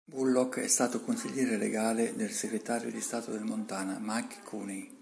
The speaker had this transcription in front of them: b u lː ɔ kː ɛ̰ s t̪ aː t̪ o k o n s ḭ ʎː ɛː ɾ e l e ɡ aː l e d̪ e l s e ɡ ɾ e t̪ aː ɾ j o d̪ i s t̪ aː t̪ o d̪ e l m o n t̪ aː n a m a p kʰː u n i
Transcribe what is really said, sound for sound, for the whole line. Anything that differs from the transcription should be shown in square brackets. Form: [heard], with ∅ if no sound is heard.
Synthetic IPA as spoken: b u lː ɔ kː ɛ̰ s t̪ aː t̪ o k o n s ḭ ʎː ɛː ɾ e l e ɡ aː l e d̪ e l s e ɡ ɾ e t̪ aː ɾ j o d̪ i s t̪ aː t̪ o d̪ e l m o n t̪ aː n a m a [k] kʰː u n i